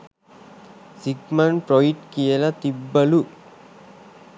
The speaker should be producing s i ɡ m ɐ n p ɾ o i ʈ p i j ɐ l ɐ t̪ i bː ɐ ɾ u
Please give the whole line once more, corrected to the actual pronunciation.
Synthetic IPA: s i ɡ m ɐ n p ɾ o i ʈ k i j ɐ l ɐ t̪ i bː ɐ l u